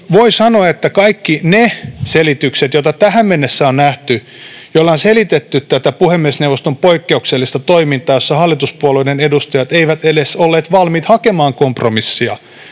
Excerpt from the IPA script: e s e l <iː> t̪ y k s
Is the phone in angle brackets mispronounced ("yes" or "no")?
yes